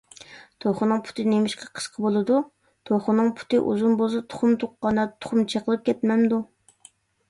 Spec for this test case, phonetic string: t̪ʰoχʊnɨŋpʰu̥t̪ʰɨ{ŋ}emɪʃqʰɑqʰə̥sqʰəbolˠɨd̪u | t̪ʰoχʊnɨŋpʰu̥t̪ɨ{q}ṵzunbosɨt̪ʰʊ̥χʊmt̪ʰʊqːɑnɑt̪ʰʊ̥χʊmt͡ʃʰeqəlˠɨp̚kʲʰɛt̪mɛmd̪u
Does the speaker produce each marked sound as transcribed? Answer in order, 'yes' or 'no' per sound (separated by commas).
no, no